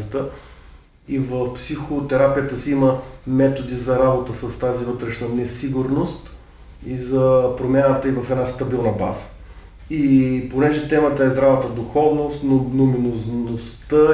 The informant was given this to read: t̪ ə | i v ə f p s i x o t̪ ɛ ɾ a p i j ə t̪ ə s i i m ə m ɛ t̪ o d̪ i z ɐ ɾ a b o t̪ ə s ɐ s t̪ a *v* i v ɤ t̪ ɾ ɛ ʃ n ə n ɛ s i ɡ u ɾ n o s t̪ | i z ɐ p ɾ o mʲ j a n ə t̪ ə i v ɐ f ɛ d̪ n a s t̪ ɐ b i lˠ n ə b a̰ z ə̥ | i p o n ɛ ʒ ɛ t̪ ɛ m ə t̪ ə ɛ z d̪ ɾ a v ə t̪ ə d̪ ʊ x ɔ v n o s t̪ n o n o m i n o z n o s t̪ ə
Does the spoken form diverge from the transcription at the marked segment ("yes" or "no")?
yes